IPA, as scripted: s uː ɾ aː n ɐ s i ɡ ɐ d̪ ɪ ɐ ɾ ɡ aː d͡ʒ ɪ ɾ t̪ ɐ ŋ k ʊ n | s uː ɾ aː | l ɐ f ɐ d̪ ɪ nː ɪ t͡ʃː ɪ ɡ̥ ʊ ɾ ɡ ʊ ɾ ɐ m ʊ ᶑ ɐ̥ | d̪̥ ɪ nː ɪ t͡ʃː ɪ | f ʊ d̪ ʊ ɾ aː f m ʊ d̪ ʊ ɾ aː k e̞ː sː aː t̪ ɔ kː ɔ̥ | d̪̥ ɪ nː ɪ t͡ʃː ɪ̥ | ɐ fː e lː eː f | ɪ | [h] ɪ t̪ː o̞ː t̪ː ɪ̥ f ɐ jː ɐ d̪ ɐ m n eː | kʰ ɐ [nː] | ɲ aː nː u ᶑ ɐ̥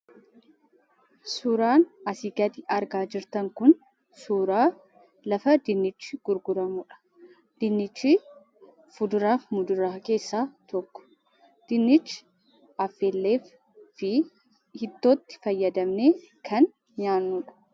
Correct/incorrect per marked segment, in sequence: correct, incorrect: n

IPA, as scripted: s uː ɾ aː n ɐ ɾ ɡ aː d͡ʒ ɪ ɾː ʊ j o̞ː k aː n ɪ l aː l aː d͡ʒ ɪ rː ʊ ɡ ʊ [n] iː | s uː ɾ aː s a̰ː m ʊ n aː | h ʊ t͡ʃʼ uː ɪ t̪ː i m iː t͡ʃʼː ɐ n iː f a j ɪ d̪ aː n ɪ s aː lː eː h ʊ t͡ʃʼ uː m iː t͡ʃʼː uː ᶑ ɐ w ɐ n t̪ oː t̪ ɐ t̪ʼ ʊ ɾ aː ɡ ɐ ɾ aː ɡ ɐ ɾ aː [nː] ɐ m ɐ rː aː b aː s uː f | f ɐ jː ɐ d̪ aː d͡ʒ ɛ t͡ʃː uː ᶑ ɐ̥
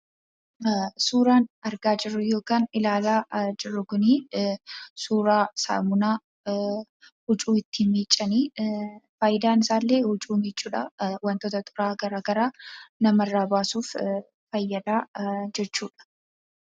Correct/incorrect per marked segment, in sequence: correct, incorrect: n

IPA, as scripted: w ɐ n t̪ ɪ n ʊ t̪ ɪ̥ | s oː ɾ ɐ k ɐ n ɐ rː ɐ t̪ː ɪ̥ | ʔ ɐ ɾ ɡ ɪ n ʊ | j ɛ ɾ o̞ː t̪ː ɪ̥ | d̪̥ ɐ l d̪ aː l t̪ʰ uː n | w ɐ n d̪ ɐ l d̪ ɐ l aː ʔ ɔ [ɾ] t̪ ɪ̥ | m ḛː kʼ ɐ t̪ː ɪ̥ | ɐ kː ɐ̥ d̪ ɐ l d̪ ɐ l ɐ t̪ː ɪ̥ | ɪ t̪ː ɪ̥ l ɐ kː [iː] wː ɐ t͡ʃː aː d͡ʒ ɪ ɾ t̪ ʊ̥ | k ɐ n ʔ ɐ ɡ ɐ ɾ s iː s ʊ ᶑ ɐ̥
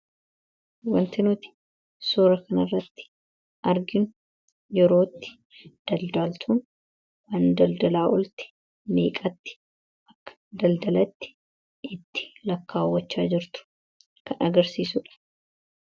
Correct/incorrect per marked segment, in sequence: incorrect: l, incorrect: aː

